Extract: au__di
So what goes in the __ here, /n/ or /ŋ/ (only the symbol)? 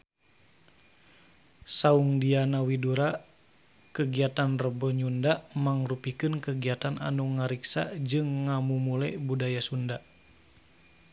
ŋ